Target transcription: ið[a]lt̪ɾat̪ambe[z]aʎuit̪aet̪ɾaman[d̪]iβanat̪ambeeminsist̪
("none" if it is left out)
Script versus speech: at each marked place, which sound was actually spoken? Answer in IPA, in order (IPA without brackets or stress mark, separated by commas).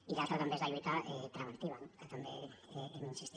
a, z, t̪